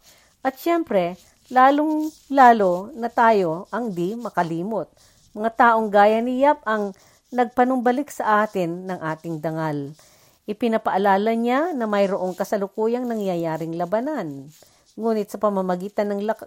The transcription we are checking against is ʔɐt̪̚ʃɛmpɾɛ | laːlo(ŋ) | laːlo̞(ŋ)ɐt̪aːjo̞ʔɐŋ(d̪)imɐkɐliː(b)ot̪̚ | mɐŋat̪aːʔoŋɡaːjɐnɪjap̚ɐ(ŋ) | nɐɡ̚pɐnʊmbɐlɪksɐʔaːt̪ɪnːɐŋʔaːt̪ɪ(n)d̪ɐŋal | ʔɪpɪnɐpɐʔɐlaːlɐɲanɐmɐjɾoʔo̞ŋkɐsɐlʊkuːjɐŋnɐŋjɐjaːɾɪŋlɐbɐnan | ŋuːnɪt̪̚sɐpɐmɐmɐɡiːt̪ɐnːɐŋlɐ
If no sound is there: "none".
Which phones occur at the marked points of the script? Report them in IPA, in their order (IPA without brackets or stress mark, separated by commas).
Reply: ŋ, n, d̪, m, ŋ, ŋ